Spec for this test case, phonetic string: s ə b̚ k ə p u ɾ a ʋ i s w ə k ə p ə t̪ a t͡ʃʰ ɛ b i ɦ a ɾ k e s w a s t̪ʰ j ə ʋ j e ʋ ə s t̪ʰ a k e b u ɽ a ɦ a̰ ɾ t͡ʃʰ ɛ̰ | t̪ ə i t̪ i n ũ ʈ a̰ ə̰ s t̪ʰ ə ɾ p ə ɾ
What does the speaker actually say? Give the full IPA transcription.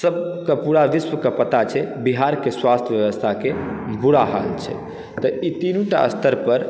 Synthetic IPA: s ə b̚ k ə p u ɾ a ʋ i s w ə k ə p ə t̪ a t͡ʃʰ ɛ b i ɦ a ɾ k e s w a s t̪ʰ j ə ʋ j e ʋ ə s t̪ʰ a k e b u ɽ a ɦ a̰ l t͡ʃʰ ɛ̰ | t̪ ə i t̪ i n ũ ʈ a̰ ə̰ s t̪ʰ ə ɾ p ə ɾ